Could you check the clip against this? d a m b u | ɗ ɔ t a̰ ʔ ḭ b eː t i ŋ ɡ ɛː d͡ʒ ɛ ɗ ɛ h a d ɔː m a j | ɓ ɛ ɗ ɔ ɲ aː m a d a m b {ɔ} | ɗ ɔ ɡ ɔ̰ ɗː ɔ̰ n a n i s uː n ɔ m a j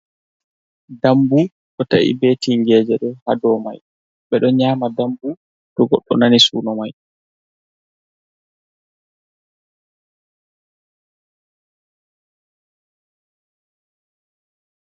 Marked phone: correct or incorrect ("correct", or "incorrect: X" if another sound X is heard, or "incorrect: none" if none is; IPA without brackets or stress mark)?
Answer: incorrect: u